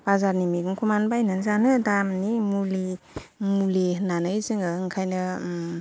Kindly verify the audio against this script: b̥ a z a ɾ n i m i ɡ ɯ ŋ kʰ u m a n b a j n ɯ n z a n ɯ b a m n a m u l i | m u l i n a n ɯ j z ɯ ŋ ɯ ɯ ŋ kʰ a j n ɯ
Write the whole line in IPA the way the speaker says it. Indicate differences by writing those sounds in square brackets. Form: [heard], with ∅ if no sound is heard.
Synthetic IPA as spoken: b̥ a z a ɾ n i m i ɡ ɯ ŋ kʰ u m a n b a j n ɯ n z a n ɯ [d] a m n [i] m u l i | m u l i n a n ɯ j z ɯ ŋ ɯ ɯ ŋ kʰ a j n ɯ